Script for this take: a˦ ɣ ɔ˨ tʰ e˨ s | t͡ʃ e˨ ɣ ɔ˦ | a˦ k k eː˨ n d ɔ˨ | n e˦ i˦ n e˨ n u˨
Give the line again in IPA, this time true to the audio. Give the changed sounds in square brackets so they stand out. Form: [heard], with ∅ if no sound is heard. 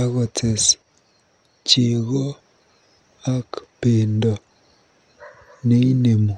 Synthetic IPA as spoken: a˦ ɣ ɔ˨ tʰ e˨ s | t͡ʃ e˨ ɣ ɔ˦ | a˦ k [p] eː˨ n d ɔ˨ | n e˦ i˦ n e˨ [m] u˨